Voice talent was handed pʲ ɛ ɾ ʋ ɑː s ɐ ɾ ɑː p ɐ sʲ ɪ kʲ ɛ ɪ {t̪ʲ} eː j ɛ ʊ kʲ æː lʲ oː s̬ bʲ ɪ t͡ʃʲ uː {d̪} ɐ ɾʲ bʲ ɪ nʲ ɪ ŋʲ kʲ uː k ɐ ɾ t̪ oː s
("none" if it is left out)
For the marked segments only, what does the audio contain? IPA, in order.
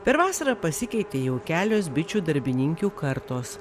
t̪ʲ, d̪

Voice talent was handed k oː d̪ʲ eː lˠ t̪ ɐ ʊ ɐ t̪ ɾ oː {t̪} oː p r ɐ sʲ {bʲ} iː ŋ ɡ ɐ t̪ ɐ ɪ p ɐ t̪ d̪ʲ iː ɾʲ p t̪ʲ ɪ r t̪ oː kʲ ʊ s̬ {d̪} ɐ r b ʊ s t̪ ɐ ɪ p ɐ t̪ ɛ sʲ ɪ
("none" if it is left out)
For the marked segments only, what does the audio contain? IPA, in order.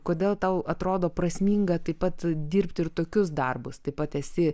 d̪, mʲ, d̪

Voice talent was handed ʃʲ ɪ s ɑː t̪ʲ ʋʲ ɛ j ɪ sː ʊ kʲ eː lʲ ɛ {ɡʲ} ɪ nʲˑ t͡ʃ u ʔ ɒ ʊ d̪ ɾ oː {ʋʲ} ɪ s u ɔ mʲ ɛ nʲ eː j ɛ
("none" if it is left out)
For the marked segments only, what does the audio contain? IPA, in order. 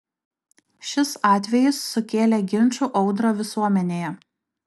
ɡʲ, ʋʲ

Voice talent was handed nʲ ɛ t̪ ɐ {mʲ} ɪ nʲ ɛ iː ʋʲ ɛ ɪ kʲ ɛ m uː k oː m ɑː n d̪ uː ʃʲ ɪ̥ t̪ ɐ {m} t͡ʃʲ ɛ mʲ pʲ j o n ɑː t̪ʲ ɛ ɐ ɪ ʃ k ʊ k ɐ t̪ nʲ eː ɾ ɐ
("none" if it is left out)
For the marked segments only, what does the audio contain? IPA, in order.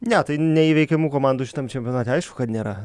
none, m

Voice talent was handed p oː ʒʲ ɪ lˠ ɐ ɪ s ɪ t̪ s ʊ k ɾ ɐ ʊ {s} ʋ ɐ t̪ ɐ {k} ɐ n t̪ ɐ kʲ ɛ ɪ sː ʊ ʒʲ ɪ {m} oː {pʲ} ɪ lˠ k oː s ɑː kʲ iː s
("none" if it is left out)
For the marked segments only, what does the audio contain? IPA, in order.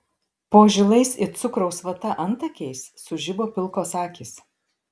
s, ʔ, b, pʲ

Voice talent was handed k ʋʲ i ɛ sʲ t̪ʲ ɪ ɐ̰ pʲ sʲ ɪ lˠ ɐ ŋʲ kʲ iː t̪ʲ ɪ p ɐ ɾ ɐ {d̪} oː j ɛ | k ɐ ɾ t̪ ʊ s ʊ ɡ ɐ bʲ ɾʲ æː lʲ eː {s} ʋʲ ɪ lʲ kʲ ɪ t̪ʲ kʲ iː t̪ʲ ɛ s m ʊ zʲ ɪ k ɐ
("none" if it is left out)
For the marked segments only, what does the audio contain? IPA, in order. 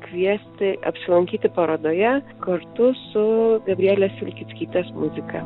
d̪, s

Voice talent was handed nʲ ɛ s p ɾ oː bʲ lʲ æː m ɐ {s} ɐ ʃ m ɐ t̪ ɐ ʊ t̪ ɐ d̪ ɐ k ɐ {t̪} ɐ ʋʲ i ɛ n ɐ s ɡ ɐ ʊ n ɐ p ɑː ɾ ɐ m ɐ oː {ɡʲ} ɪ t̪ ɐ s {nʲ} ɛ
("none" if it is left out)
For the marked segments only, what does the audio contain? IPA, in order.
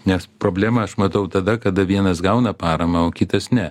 none, d̪, kʲ, nʲ

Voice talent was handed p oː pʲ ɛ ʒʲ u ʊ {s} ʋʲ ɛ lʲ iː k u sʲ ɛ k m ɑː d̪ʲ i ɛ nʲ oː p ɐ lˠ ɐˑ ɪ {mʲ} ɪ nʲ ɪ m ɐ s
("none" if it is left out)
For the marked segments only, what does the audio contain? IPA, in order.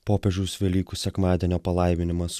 s, mʲ

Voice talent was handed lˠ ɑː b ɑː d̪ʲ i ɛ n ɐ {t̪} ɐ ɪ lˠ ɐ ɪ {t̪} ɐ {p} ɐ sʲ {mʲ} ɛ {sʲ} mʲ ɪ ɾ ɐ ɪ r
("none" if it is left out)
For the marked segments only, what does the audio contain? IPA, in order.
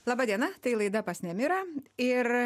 t̪, d̪, p, nʲ, none

